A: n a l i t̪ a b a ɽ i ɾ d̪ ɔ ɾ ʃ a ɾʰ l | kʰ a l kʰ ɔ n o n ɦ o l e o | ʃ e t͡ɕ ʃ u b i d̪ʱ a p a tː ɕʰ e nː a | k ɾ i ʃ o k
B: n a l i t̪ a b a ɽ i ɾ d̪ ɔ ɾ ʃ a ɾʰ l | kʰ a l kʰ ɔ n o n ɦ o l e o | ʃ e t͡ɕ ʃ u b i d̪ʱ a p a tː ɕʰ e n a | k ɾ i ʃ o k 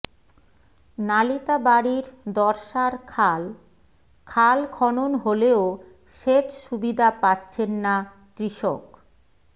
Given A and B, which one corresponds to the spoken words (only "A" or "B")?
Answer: A